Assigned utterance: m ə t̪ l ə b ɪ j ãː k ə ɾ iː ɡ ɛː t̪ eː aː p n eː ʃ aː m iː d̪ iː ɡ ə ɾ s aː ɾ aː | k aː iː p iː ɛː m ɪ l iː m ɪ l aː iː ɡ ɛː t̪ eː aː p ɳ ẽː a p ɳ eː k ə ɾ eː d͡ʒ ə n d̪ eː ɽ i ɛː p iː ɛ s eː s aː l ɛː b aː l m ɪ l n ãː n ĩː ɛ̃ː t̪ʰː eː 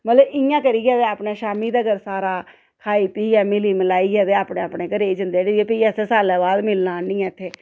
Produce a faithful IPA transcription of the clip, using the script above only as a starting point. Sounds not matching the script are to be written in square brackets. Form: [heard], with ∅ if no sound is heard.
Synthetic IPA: m ə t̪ l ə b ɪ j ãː k ə ɾ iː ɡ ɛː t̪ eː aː p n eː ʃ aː m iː d̪ [aː] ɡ ə ɾ s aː ɾ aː | [kʰ] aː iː p iː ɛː m ɪ l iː m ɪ l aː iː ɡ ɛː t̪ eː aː p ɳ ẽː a p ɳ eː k ə ɾ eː d͡ʒ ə n d̪ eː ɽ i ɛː p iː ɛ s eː s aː l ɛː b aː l m ɪ l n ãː n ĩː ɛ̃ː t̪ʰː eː